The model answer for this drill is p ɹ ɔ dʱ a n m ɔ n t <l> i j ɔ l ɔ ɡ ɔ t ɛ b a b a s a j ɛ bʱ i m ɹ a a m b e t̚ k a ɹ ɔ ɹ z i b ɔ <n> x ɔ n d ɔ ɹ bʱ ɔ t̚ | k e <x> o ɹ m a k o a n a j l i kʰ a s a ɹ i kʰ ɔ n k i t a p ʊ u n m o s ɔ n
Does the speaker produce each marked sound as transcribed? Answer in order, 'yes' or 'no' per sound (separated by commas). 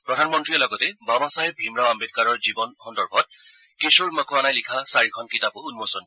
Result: no, yes, no